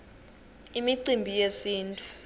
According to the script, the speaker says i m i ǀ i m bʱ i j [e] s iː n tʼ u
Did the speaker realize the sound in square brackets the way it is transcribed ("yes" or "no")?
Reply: yes